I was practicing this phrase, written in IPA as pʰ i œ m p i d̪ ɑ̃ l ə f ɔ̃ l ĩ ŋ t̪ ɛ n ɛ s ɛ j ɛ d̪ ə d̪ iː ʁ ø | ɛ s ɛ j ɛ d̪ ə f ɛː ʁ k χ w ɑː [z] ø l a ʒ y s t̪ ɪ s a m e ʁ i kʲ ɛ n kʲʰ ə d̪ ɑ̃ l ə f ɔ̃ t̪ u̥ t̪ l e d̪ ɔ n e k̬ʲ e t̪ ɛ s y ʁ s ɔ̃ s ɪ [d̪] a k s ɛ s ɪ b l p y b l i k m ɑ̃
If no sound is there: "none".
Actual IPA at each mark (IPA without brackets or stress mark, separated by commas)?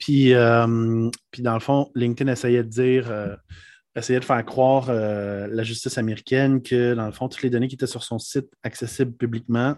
ʁ, t̪